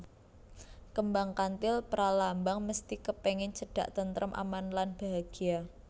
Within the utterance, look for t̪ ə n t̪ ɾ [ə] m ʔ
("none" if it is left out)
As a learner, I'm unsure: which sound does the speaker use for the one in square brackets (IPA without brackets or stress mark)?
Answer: ə